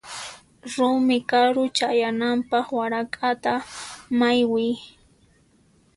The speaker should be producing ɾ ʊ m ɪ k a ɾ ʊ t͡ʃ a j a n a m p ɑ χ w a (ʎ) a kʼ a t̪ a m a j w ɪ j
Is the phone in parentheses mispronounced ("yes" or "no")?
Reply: yes